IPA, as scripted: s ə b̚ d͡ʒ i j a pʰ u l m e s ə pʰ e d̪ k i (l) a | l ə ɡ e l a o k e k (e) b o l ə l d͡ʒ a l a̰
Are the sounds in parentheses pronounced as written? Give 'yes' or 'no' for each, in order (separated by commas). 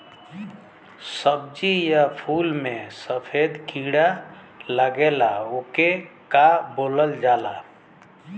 no, no